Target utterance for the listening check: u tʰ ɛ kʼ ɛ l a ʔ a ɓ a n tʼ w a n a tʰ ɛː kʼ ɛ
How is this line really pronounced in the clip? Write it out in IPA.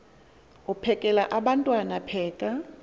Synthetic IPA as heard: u pʰ ɛ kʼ ɛ l a ʔ a ɓ a n tʼ w a n a pʰ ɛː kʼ a